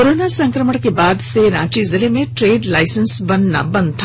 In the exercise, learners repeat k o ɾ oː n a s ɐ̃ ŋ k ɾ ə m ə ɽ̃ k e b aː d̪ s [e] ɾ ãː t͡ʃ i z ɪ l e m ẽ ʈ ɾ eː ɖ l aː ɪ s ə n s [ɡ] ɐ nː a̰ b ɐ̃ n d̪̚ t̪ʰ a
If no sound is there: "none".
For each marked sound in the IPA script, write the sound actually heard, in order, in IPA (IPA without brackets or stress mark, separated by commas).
e, b